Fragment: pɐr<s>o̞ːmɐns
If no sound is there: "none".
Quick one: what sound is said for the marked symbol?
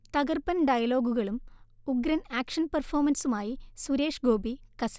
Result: f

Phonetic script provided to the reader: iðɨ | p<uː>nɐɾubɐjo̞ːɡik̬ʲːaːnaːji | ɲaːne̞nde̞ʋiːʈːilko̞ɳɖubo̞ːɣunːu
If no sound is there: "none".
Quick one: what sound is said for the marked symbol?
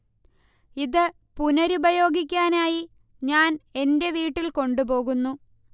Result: u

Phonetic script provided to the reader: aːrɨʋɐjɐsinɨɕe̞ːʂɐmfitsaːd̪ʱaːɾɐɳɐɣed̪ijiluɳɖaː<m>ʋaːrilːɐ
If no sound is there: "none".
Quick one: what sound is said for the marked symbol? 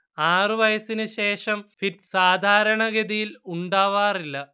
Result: none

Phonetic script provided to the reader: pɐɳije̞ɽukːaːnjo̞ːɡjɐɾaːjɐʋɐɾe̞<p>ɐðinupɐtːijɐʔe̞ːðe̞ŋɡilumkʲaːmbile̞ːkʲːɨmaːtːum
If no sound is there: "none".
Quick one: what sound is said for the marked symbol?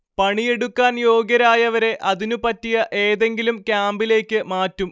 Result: ʔ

